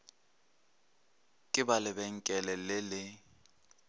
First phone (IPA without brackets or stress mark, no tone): kʼ